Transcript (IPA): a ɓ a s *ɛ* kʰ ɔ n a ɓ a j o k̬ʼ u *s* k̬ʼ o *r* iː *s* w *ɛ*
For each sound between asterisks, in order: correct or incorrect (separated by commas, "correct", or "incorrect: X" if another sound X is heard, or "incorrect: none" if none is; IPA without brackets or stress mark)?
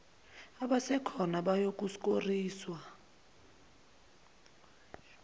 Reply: correct, correct, correct, correct, incorrect: a